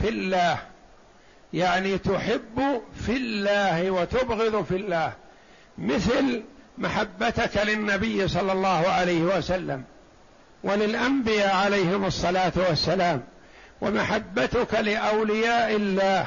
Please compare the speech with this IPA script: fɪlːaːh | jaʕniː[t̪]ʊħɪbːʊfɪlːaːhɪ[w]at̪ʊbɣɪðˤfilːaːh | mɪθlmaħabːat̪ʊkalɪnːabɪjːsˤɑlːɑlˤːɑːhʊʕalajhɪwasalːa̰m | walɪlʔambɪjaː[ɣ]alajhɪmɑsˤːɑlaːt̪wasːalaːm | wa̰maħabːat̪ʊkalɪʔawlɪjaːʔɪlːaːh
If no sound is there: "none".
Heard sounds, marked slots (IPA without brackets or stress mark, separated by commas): t̪, w, ʕ